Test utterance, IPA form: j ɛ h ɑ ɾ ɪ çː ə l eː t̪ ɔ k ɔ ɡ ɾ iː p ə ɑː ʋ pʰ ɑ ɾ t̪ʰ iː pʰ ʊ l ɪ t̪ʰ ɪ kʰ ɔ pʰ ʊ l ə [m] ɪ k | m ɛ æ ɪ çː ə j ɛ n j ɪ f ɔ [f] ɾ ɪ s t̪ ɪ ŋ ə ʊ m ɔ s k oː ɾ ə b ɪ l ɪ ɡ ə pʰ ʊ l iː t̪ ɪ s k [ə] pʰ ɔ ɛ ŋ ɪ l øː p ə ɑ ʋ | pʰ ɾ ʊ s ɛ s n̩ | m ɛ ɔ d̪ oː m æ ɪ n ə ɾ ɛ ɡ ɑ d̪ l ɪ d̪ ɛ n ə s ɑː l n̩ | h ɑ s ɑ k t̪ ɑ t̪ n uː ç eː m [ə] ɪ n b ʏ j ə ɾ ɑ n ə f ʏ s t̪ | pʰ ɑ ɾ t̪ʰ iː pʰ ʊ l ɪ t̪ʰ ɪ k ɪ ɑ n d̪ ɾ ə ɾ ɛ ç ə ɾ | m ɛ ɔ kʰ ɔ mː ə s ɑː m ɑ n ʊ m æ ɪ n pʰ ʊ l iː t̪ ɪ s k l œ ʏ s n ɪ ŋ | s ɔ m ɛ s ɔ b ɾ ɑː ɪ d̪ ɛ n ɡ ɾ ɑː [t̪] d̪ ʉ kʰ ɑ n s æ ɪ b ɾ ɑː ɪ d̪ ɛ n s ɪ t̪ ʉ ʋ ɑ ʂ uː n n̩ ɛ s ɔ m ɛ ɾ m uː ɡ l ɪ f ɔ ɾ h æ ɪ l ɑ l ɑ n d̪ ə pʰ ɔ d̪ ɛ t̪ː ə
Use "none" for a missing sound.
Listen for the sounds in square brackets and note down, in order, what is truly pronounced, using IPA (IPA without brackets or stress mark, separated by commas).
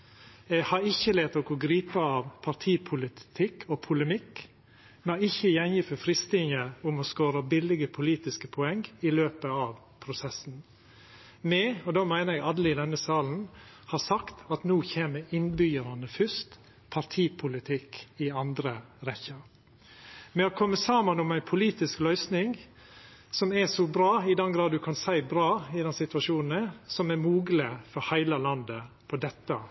m, f, ə, ə, d̪